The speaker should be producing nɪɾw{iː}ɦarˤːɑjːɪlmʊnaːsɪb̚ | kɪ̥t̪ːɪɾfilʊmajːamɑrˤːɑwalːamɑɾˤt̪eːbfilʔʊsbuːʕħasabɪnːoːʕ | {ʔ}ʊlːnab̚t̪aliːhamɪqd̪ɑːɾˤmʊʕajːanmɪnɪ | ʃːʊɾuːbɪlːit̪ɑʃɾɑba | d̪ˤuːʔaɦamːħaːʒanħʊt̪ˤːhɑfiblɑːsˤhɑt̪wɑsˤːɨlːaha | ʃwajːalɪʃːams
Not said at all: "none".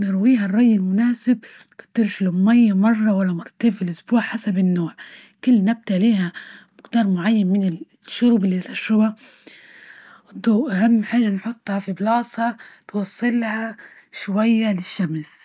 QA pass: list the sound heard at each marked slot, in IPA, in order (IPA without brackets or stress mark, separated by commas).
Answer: iː, k